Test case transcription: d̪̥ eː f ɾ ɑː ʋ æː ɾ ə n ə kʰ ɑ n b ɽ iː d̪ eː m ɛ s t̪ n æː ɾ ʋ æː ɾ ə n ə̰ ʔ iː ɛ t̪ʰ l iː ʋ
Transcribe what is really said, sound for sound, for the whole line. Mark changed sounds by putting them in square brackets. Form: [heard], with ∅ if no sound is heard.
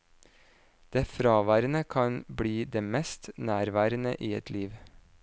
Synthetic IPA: d̪̥ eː f ɾ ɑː ʋ æː ɾ ə n ə kʰ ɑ n b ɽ iː d̪ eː m ɛ s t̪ n æː ɾ ʋ æː ɾ ə n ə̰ ʔ iː ɛ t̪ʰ l iː ʋ